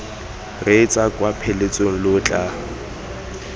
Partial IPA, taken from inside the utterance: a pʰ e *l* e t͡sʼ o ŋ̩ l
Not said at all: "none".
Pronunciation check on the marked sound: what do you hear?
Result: l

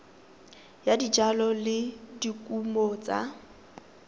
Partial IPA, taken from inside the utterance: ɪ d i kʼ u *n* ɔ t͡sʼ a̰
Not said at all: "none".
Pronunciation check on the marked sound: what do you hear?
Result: m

